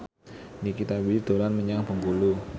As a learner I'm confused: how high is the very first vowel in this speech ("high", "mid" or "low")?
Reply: high